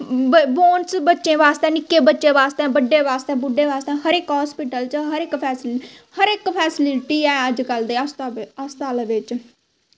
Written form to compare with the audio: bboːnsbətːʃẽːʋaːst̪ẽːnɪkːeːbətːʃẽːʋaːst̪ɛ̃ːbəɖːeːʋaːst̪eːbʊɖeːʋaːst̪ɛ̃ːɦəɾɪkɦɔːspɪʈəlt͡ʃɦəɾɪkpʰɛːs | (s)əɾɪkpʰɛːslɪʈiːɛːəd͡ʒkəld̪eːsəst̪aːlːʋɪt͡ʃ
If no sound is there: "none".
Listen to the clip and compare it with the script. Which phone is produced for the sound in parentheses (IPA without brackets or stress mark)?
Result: h